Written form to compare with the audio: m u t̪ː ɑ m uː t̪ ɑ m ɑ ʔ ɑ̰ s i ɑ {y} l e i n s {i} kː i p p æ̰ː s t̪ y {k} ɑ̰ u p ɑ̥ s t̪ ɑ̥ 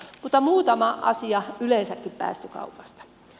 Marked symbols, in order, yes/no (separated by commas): yes, no, yes